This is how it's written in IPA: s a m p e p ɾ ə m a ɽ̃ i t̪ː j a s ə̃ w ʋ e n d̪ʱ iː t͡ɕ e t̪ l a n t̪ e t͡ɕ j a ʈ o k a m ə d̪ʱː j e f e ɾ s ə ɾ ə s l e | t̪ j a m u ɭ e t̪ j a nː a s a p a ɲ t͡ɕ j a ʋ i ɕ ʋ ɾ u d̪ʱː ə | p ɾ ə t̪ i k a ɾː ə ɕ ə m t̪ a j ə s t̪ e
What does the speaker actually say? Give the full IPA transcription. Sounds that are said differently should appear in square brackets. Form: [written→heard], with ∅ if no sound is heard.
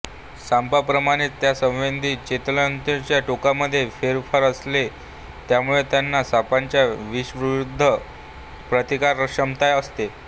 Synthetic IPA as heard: s a m p [e→a] p ɾ ə m a ɽ̃ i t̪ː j a s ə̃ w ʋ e n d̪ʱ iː t͡ɕ e t̪ l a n t̪ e t͡ɕ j a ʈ o k a m ə d̪ʱː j e f e ɾ [s→f] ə ɾ ə s l e | t̪ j a m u ɭ e t̪ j a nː a s a p a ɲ t͡ɕ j a ʋ i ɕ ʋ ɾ u d̪ʱː ə | p ɾ ə t̪ i k a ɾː ə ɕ ə m t̪ a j ə s t̪ e

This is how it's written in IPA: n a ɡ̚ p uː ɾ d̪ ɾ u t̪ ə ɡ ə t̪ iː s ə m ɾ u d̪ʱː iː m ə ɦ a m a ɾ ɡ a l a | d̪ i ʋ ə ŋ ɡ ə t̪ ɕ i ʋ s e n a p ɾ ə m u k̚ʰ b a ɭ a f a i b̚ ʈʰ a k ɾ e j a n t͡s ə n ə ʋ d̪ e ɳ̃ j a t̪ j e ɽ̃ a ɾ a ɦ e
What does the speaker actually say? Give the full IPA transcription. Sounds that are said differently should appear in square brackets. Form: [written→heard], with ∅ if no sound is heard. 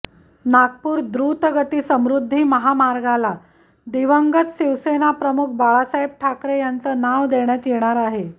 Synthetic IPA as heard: n a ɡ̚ p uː ɾ d̪ ɾ u t̪ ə ɡ ə t̪ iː s ə m ɾ u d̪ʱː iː m ə ɦ a m a ɾ ɡ a l a | d̪ i ʋ ə ŋ ɡ ə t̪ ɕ i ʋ s e n a p ɾ ə m u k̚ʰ b a ɭ a [f→s] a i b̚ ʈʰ a k ɾ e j a n t͡s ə n [ə→a] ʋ d̪ e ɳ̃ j a t̪ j e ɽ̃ a ɾ a ɦ e

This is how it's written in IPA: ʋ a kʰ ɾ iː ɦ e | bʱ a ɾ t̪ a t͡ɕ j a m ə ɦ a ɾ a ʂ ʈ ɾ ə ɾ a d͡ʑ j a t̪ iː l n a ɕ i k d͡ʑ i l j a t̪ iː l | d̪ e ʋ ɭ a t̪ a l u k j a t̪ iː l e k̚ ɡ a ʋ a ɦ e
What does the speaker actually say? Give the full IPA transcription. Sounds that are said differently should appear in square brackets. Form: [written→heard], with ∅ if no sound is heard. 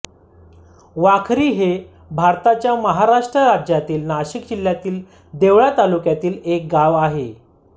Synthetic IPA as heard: ʋ a kʰ ɾ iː ɦ e | bʱ a ɾ t̪ a t͡ɕ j a m ə ɦ a ɾ a ʂ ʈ ɾ ə ɾ a d͡ʑ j a t̪ iː l n a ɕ i k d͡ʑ i l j a t̪ iː l | d̪ e ʋ ɭ a t̪ a l u k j a t̪ iː l e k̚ ɡ a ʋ a ɦ e

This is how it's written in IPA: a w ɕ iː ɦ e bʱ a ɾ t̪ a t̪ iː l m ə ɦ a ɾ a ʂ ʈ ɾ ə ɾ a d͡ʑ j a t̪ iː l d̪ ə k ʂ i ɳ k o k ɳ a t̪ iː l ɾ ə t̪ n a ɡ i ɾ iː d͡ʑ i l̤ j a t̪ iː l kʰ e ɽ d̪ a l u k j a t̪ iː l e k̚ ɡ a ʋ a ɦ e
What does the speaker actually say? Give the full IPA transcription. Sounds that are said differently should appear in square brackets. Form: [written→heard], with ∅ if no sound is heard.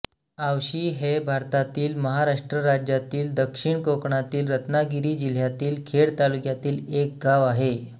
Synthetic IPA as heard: a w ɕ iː ɦ e bʱ a ɾ t̪ a t̪ iː l m ə ɦ a ɾ a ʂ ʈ ɾ ə ɾ a d͡ʑ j a t̪ iː l d̪ ə k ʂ i ɳ k o k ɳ a t̪ iː l ɾ ə t̪ n a ɡ i ɾ iː d͡ʑ i l̤ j a t̪ iː l kʰ e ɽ [d̪→t̪] a l u k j a t̪ iː l e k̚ ɡ a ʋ a ɦ e

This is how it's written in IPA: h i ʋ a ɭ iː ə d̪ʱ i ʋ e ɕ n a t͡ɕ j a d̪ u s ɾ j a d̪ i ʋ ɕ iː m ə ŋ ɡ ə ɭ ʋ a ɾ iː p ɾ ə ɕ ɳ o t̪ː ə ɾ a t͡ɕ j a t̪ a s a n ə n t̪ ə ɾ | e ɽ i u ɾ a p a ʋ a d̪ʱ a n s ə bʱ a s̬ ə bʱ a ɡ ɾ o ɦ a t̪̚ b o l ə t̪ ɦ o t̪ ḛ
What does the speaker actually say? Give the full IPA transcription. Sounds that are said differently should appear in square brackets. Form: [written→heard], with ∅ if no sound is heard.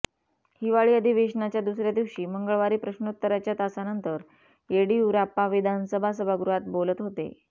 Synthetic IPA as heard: h i ʋ a ɭ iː ə d̪ʱ i ʋ e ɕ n a t͡ɕ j a d̪ u s ɾ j a d̪ i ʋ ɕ iː m ə ŋ ɡ ə ɭ ʋ a ɾ iː p ɾ ə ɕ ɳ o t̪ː ə ɾ a t͡ɕ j a t̪ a s a n ə n t̪ ə ɾ | e ɽ i u ɾ a p a ʋ [a→i] d̪ʱ a n s ə bʱ a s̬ ə bʱ a ɡ ɾ [o→u] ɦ a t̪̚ b o l ə t̪ ɦ o t̪ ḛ

